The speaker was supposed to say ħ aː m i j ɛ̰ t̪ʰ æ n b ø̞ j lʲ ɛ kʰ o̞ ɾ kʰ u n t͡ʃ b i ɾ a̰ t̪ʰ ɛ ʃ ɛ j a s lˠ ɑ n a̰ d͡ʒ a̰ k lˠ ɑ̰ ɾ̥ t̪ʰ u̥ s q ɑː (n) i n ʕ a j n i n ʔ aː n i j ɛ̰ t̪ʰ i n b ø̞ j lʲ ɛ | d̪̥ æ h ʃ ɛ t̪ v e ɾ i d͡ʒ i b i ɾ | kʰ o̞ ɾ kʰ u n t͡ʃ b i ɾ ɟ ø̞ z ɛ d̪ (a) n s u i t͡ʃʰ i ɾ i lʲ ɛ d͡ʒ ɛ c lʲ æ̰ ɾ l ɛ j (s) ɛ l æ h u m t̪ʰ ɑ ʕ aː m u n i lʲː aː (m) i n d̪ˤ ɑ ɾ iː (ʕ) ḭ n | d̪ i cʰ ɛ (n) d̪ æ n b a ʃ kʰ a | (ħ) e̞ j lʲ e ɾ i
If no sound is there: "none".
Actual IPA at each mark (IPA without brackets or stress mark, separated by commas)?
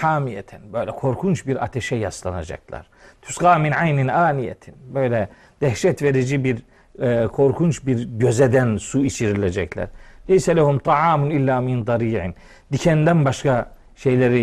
m, æ, s, m, ʕ, n, ʃ